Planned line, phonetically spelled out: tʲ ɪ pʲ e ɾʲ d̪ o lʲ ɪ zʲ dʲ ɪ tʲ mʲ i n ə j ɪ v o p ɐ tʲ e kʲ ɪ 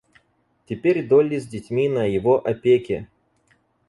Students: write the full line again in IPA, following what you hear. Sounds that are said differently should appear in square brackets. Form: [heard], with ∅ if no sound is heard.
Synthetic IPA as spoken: tʲ ɪ pʲ e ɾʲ d̪ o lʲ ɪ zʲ dʲ ɪ tʲ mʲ i n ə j ɪ v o [ʔ] ɐ [pʲ] e kʲ ɪ